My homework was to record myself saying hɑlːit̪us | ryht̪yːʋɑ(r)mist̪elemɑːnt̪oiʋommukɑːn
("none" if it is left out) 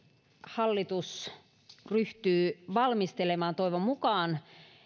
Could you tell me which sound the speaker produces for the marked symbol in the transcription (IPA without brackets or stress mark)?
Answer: l